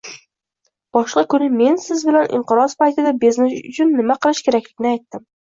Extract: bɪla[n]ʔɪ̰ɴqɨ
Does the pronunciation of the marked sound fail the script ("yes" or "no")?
no